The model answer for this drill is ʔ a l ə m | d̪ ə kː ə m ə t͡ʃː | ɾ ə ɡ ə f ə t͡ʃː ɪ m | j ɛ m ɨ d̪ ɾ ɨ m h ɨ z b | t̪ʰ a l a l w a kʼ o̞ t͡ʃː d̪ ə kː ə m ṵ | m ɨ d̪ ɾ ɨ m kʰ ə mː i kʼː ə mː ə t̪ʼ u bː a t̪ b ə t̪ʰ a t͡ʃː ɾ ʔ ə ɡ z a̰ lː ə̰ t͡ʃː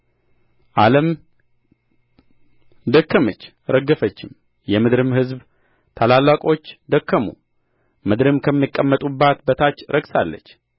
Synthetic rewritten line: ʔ a l ə m | d̪ ə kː ə m ə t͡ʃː | ɾ ə ɡ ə f ə t͡ʃː ɪ m | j ɛ m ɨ d̪ ɾ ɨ m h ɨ z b | t̪ʰ a l a l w a kʼ o̞ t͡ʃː d̪ ə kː ə m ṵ | m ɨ d̪ ɾ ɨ m kʰ ə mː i kʼː ə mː ə t̪ʼ u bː a t̪ b ə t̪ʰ a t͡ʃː ɾ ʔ ə ɡ s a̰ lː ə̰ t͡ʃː

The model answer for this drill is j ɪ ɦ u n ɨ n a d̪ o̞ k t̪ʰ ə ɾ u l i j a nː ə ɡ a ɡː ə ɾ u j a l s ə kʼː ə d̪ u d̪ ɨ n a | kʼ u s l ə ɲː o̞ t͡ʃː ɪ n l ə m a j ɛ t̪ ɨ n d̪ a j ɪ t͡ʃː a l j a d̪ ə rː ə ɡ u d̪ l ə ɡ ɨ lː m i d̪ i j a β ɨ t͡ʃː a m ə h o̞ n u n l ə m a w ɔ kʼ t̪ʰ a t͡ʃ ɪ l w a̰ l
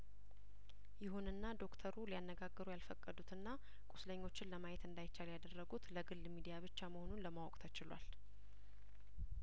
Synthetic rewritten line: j ɪ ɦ u n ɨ nː a d̪ o̞ k t̪ʰ ə ɾ u l i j a nː ə ɡ a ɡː ə ɾ u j a l f ə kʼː ə d̪ u t̪ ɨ nː a | kʼ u s l ə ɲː o̞ t͡ʃː ɪ n l ə m a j ɛ t̪ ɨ n d̪ a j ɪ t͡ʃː a l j a d̪ ə rː ə ɡ u t̪ l ə ɡ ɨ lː m i d̪ i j a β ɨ t͡ʃː a m ə h o̞ n u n l ə m a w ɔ kʼ t̪ʰ ə t͡ʃ ɪ l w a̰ l

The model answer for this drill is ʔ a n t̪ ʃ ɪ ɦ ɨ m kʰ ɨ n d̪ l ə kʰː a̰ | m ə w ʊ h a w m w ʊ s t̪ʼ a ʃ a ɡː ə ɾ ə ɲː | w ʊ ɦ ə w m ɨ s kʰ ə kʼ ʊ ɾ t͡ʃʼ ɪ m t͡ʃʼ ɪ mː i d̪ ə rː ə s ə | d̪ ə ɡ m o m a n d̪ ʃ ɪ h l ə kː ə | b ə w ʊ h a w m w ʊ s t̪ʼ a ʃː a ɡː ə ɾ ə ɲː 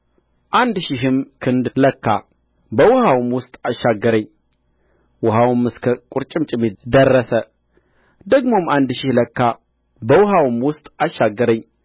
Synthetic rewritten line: ʔ a n d̪ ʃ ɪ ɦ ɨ m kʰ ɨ n d̪ l ə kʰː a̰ | b ə w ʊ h a w m w ʊ s t̪ʼ a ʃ a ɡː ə ɾ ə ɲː | w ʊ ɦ a w m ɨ s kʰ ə kʼ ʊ ɾ t͡ʃʼ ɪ m t͡ʃʼ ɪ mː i d̪ ə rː ə s ə | d̪ ə ɡ m o m a n d̪ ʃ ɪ h l ə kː a | b ə w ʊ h a w m w ʊ s t̪ʼ a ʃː a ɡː ə ɾ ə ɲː

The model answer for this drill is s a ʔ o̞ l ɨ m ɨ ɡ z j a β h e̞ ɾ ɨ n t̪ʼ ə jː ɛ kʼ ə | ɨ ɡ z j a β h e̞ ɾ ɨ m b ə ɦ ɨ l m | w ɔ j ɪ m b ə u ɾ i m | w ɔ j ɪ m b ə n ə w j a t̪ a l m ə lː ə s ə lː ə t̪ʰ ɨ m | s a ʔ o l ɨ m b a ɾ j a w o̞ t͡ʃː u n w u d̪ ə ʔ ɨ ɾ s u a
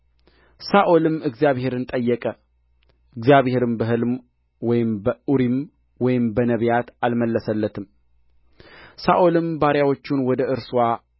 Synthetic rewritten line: s a ʔ o̞ l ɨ m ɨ ɡ z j a β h e̞ ɾ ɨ n t̪ʼ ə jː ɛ kʼ ə | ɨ ɡ z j a β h e̞ ɾ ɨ m b ə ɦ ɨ l m | w ɔ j ɪ m b ə u ɾ i m | w ɔ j ɪ m b ə n ə β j a t̪ a l m ə lː ə s ə lː ə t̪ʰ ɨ m | s a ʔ o l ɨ m b a ɾ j a w o̞ t͡ʃː u n w ɔ d̪ ə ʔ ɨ ɾ s w a

